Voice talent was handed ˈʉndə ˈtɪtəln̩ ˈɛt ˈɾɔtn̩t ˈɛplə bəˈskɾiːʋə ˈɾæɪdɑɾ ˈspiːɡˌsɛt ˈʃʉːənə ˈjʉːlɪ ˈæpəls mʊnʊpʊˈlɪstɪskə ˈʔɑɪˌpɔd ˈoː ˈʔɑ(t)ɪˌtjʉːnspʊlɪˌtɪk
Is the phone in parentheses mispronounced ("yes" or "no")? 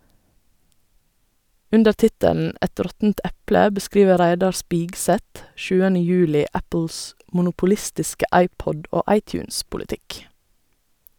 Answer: yes